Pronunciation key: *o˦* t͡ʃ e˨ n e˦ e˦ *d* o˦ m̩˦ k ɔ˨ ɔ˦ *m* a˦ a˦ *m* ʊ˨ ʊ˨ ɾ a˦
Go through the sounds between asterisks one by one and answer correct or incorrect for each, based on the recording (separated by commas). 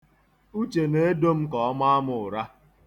incorrect, correct, correct, correct